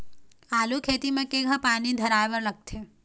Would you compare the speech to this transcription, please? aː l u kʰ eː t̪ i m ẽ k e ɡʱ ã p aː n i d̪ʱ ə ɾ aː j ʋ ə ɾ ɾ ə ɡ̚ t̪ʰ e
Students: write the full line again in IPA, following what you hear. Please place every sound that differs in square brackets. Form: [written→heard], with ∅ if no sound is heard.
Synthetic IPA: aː l u kʰ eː t̪ i m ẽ k e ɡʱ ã p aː n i d̪ʱ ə ɾ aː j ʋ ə ɾ [ɾ→l] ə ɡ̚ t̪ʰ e

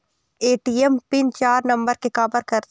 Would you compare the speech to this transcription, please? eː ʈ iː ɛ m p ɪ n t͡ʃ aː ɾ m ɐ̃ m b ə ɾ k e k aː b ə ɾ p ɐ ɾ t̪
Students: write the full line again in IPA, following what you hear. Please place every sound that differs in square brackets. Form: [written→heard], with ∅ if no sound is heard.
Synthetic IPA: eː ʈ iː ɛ m p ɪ n t͡ʃ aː ɾ [m→n] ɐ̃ m b ə ɾ k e k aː b ə ɾ [p→k] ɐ ɾ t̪

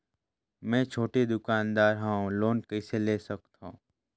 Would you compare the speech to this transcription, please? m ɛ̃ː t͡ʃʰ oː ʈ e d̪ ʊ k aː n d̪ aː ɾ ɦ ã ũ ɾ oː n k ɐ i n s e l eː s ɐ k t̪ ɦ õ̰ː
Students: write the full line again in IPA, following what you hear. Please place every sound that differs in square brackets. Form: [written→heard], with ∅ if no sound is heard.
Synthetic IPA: m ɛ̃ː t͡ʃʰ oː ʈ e d̪ ʊ k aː n d̪ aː ɾ ɦ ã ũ [ɾ→l] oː n k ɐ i [n→∅] s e l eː s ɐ k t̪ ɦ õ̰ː

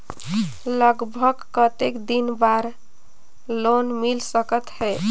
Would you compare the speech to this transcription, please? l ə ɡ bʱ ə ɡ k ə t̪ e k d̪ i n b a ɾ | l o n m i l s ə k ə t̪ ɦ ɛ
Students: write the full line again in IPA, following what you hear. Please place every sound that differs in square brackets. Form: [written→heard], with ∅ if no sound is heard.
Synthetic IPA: l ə ɡ bʱ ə ɡ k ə t̪ e k d̪ i n b a ɾ | l o n m i l s ə k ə t̪ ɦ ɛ

